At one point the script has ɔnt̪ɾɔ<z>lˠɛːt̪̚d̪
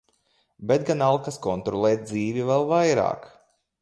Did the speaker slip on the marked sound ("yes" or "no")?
yes